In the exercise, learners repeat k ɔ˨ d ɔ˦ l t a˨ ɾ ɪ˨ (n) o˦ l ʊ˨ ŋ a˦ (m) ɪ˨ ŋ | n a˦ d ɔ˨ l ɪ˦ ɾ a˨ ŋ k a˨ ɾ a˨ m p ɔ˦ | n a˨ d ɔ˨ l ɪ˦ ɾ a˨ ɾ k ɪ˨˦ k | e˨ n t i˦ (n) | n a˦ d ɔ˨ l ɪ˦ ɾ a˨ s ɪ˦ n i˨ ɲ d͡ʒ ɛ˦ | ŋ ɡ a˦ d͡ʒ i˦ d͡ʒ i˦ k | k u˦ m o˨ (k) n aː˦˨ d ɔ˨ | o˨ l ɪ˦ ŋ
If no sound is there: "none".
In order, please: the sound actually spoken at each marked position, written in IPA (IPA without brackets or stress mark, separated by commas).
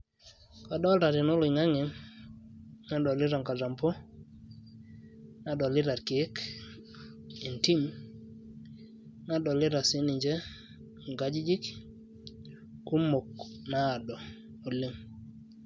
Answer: n, ŋ, m, k